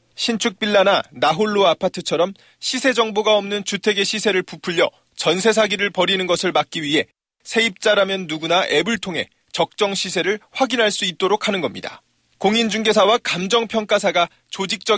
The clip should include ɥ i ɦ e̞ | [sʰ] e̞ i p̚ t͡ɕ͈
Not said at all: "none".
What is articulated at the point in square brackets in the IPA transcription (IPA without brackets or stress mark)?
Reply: sʰ